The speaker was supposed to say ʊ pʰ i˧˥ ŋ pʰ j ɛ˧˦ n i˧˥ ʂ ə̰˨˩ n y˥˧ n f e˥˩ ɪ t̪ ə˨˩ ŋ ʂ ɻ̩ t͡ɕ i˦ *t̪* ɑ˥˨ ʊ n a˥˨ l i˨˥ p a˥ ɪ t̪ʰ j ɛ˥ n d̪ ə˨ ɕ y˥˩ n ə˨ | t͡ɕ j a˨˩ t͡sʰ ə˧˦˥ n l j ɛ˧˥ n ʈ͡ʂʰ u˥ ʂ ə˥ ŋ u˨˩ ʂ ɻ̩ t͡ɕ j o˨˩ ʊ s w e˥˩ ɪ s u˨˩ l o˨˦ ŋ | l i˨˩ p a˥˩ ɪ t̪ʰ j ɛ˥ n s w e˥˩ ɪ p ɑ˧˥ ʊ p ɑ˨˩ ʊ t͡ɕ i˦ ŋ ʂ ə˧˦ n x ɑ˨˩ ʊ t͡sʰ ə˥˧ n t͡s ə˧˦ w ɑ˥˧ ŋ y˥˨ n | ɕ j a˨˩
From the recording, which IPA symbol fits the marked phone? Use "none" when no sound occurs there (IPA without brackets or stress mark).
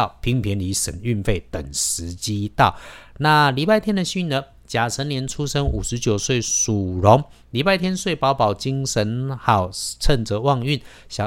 t̪